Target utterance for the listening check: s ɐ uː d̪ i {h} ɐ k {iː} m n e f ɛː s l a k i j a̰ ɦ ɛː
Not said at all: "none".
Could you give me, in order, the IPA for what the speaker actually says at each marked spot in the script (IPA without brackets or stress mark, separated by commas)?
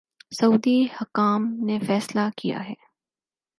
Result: h, aː